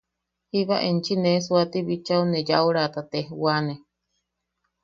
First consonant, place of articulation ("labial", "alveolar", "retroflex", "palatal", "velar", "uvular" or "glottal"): glottal